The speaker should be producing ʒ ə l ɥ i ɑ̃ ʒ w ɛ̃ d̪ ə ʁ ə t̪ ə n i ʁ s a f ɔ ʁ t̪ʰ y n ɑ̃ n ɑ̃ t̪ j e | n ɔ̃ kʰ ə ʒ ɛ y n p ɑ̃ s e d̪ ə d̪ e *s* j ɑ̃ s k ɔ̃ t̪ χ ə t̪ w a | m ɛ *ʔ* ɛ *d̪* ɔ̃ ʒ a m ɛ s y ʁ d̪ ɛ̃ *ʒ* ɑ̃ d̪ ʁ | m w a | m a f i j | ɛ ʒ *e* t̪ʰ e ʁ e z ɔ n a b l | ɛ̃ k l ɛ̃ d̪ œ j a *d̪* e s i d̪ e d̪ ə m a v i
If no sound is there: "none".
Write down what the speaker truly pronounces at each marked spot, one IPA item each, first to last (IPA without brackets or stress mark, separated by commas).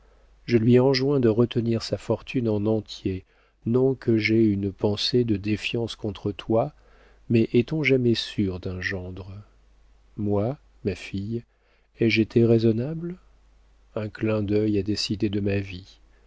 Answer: f, ʔ, t̪, ʒ, e, d̪